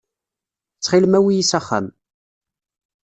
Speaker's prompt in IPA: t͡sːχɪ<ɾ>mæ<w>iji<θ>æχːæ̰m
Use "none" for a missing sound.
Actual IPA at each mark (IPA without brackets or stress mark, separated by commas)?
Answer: l, w, s